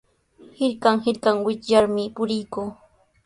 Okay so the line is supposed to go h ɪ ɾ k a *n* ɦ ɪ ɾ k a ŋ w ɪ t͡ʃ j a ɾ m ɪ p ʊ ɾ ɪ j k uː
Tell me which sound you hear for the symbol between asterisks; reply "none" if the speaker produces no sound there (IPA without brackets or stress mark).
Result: ŋ